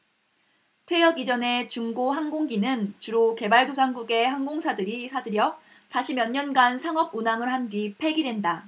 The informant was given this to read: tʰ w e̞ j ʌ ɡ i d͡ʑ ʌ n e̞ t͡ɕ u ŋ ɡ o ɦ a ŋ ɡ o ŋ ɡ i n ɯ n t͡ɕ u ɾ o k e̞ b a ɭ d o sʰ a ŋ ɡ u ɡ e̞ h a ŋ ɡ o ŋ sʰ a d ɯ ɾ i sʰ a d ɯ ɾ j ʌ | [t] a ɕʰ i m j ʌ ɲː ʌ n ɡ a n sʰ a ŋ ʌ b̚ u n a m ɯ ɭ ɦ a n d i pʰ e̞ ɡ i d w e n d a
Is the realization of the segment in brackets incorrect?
no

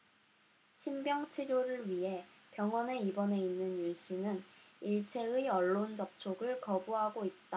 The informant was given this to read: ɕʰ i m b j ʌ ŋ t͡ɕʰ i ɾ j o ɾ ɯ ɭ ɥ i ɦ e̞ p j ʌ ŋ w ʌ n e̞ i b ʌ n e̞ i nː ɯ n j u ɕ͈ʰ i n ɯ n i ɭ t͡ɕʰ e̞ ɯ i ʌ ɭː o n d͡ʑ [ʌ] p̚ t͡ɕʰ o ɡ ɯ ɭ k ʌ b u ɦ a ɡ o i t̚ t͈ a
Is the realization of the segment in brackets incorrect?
no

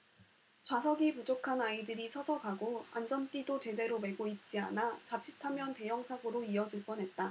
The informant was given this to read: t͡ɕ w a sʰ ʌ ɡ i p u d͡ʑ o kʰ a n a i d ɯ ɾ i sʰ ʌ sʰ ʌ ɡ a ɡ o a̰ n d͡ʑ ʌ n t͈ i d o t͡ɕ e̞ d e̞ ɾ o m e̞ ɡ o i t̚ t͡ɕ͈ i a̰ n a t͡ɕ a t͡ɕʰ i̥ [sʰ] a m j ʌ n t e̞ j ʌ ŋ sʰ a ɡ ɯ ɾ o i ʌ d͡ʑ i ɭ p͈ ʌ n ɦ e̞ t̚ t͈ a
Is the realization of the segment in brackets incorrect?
yes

